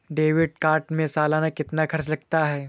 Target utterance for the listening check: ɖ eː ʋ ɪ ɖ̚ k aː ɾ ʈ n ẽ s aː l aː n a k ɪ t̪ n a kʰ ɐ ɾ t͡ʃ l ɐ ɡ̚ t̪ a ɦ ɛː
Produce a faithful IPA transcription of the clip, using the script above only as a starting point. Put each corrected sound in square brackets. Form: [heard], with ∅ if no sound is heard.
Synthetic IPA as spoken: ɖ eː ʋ ɪ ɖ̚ k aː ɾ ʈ [m] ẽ s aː l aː n a k ɪ t̪ n a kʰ ɐ ɾ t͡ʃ l ɐ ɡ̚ t̪ a ɦ ɛː